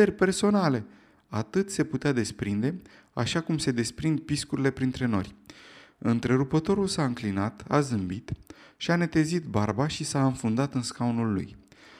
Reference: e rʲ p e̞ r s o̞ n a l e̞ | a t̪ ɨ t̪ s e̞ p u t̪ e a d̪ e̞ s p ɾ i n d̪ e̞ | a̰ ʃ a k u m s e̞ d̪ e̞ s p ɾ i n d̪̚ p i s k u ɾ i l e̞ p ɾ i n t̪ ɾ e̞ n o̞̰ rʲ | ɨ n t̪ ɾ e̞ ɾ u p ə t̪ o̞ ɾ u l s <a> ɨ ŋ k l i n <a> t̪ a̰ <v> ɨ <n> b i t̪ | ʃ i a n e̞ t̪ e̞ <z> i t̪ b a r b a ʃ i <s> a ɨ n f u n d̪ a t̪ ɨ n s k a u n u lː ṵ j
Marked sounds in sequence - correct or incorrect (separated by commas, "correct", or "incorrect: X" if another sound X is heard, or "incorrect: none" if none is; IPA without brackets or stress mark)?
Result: correct, correct, incorrect: z, incorrect: m, correct, correct